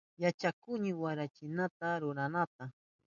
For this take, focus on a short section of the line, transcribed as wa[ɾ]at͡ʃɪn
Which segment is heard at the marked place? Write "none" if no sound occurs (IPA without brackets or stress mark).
ɾ